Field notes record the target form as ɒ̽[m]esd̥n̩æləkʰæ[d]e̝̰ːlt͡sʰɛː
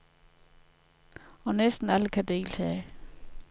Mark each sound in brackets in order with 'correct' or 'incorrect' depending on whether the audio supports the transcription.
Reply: incorrect, correct

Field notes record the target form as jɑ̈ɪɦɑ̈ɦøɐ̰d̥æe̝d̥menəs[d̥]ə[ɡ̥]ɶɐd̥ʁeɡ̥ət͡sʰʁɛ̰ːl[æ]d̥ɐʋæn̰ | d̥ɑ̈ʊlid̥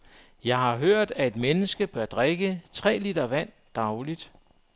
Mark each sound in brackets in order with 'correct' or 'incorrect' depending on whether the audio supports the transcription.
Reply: incorrect, incorrect, incorrect

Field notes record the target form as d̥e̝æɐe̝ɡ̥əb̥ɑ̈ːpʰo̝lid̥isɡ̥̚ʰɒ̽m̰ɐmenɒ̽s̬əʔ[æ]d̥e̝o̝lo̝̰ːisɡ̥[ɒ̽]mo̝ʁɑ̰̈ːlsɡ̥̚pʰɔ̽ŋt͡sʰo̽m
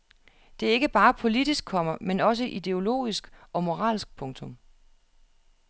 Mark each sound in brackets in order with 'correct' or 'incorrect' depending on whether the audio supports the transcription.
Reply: incorrect, correct

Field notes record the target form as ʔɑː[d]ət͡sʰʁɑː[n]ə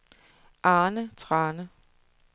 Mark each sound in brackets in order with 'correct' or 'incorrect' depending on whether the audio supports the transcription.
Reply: incorrect, correct

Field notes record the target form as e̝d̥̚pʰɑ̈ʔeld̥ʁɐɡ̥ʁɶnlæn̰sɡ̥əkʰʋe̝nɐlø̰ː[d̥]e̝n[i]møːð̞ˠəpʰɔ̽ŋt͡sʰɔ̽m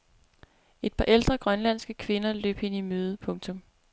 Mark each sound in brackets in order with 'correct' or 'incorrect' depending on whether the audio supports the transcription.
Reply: incorrect, correct

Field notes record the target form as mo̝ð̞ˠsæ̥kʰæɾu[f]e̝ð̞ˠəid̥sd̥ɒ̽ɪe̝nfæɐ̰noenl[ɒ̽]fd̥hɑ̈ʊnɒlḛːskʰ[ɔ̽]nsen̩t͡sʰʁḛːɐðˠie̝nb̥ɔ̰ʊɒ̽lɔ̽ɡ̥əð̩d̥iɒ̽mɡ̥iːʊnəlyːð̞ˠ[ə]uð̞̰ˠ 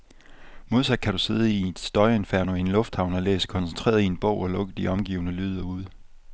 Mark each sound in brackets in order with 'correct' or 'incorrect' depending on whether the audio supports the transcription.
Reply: incorrect, incorrect, incorrect, incorrect

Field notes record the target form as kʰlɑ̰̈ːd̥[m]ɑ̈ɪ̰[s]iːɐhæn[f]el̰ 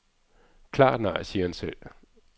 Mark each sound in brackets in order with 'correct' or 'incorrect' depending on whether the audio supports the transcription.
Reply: incorrect, correct, incorrect

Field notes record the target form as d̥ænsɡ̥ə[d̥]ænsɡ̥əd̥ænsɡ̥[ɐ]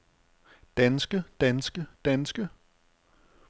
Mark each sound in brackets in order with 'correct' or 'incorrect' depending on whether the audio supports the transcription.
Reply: correct, incorrect

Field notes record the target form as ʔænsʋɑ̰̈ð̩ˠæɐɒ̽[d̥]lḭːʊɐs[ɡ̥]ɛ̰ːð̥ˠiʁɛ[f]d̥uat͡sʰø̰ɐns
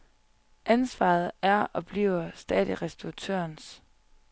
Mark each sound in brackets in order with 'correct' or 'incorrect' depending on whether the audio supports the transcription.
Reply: incorrect, incorrect, incorrect

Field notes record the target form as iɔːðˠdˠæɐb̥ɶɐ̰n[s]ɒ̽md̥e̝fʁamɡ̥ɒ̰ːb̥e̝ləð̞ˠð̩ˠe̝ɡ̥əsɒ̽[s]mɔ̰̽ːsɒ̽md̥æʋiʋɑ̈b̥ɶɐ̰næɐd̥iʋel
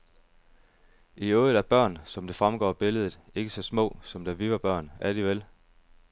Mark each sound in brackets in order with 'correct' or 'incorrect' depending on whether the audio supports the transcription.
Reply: correct, correct

